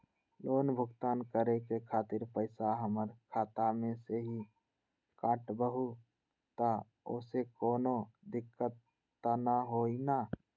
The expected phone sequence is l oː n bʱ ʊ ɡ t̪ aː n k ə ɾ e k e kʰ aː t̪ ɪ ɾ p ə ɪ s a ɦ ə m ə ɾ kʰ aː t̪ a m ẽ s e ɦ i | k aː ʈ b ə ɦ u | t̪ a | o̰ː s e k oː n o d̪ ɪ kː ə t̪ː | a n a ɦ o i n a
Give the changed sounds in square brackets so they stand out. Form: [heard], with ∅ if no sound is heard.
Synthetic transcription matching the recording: l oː n bʱ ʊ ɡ t̪ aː n k ə ɾ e k e kʰ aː t̪ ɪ ɾ p ə ɪ s a ɦ ə m ə ɾ kʰ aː t̪ a m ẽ s e ɦ i | k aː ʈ b ə ɦ u | t̪ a | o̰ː s e k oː n o d̪ ɪ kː ə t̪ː | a n a ɦ o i n a